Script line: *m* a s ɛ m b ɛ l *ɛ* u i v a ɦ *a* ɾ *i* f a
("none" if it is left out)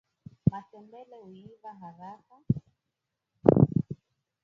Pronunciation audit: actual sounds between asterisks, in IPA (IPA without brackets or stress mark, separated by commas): m, ɛ, a, a